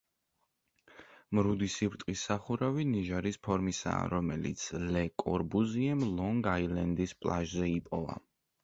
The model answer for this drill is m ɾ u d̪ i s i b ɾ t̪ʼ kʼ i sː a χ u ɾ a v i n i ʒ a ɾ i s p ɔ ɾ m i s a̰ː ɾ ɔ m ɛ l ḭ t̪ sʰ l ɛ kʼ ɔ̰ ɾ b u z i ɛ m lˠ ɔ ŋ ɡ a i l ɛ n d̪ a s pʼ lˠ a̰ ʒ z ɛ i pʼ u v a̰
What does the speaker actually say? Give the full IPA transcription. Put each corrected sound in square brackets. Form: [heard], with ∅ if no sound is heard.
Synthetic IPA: m ɾ u d̪ i s i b ɾ t̪ʼ [qʼ] i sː a χ u ɾ a v i n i ʒ a ɾ i s [pʰ] ɔ ɾ m i s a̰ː ɾ ɔ m ɛ l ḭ t̪ sʰ l ɛ kʼ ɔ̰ ɾ b u z i ɛ m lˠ ɔ ŋ ɡ a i l ɛ n d̪ [i] s pʼ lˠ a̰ ʒ z ɛ i pʼ [ɔ] v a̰